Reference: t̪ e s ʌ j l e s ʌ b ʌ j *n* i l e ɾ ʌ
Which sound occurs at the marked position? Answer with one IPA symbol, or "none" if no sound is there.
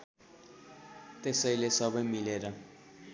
m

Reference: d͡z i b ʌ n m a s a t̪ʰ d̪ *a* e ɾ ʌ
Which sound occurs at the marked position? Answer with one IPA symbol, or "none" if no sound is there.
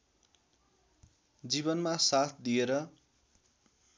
i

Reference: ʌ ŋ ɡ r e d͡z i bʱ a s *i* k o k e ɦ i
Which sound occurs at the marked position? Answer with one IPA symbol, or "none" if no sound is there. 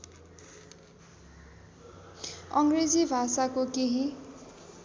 a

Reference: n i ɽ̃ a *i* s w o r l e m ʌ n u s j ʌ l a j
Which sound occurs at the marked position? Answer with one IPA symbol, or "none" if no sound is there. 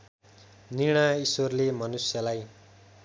i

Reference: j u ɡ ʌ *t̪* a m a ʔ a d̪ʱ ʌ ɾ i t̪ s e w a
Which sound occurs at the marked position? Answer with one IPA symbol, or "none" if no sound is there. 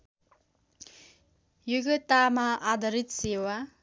t̪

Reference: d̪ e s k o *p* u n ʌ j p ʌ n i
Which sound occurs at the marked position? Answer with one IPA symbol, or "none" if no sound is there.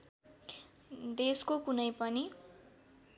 k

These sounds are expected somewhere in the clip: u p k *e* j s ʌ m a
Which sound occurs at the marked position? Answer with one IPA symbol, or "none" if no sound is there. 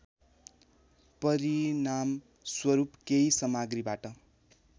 e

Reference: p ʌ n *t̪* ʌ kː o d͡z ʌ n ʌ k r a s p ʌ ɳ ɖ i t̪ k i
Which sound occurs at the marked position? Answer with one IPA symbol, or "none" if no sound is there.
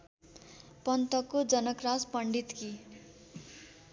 t̪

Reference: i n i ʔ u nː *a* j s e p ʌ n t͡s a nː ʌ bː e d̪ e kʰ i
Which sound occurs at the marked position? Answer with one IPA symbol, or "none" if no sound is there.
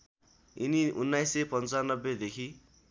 a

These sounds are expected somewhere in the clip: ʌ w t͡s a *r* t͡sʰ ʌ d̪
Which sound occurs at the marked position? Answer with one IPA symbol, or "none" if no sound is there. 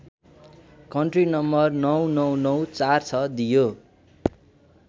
r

